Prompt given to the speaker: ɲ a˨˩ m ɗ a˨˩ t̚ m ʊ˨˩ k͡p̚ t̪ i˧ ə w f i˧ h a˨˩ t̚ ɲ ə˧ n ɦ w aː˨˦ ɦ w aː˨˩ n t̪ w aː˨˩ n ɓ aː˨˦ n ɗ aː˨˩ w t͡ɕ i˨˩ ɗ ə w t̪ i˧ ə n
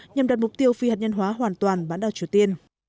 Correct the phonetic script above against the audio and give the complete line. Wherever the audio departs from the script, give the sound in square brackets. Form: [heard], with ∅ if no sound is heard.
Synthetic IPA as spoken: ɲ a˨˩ m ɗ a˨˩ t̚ m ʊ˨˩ k͡p̚ t̪ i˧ ə w f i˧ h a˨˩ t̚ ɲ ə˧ n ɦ w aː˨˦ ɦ w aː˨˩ n t̪ w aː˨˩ n ɓ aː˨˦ n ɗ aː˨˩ w t͡ɕ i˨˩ [∅] ə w t̪ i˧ ə n